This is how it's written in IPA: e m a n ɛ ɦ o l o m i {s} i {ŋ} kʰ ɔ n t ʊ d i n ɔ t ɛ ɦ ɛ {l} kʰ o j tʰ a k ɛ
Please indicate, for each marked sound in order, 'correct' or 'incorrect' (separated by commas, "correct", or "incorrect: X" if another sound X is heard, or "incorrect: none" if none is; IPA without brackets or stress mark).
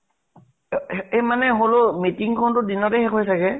incorrect: t, correct, incorrect: none